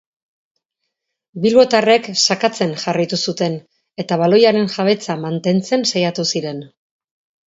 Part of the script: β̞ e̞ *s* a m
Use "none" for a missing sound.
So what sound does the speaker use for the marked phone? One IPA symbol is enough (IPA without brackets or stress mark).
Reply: t͡s